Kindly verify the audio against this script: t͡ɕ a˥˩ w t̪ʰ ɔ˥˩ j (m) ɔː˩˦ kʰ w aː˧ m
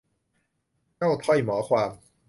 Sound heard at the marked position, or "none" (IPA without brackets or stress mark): m